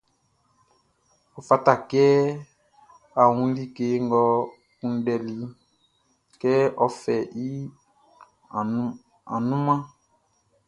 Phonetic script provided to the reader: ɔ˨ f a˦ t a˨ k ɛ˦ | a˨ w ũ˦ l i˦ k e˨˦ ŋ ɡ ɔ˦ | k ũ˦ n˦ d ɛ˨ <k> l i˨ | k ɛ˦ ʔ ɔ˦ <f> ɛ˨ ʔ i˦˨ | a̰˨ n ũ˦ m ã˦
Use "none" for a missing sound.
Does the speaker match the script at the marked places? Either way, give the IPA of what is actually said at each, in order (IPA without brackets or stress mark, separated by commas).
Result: none, f